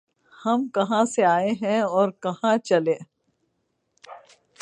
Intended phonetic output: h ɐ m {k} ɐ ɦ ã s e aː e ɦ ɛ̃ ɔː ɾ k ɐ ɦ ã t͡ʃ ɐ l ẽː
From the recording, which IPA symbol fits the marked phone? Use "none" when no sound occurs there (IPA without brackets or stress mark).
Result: k